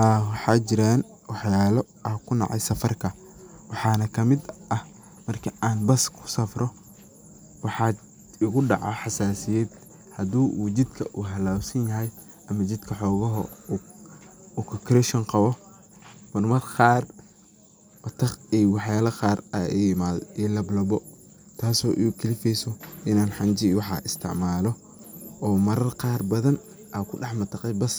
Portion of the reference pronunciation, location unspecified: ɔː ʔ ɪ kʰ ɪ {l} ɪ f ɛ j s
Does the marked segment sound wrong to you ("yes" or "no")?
no